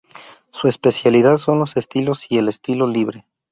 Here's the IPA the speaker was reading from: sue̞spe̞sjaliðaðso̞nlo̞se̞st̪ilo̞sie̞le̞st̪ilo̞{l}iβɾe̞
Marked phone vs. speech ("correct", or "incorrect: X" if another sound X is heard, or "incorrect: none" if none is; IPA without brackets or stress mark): correct